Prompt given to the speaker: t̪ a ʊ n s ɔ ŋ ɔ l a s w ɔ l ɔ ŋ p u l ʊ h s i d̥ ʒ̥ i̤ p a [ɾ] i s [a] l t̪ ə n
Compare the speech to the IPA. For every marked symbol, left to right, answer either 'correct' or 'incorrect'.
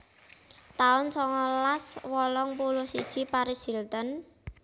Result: correct, incorrect

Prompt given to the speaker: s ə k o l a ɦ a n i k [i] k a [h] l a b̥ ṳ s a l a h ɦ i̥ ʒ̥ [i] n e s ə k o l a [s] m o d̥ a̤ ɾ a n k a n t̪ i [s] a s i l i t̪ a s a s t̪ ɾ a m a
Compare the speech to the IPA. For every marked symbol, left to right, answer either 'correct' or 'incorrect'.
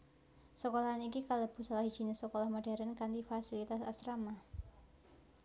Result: correct, incorrect, correct, incorrect, incorrect

